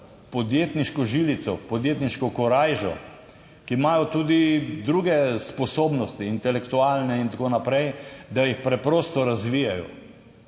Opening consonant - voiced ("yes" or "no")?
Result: no